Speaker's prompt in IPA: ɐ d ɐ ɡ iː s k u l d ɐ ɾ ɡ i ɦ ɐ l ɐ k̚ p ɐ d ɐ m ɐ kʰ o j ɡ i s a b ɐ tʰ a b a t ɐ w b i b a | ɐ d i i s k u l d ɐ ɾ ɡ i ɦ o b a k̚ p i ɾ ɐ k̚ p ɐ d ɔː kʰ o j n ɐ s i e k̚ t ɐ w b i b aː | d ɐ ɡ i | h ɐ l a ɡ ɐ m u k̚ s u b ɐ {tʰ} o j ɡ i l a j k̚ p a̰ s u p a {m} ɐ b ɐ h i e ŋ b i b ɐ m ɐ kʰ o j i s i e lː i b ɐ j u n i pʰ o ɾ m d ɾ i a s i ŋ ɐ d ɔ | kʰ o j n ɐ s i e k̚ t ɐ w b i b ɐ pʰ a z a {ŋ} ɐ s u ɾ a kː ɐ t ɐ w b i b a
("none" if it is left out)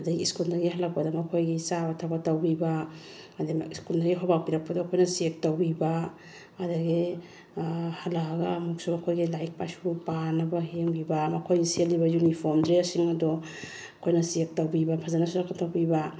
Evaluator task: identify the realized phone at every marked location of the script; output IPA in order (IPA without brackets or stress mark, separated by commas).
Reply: kʰ, n, n